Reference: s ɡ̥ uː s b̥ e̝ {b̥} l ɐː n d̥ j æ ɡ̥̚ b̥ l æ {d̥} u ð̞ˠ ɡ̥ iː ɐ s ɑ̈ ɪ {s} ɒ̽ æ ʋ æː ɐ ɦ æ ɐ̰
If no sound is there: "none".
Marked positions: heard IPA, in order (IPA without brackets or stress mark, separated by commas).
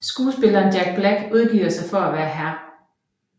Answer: none, ɡ̥, f